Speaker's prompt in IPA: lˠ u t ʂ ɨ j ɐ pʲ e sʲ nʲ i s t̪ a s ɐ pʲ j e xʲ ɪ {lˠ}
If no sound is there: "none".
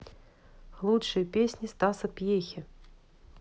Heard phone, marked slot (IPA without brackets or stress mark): none